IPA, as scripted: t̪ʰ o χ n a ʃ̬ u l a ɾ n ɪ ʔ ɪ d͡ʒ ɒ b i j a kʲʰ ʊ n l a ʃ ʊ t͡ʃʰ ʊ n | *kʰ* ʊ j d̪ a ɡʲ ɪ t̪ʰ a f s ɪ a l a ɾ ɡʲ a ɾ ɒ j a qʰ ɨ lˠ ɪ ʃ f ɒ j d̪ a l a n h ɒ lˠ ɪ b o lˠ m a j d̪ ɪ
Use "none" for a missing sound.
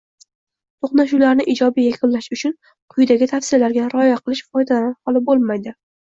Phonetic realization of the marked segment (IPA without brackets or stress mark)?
qʰ